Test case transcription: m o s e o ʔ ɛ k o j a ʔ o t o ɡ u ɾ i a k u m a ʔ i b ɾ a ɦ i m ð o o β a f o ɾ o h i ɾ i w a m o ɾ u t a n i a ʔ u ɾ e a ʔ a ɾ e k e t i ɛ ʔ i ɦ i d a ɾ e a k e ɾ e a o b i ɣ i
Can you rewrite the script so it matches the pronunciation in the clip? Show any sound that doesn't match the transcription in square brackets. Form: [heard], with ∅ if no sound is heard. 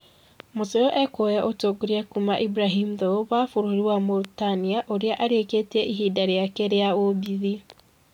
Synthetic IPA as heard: m o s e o ʔ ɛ k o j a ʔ o t o ɡ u ɾ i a k u m a ʔ i b ɾ a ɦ i m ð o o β a f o ɾ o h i ɾ i w a m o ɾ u t a n i a ʔ [o] ɾ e a ʔ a ɾ e k e t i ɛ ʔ i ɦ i d a ɾ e a k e ɾ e a o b i [ð] i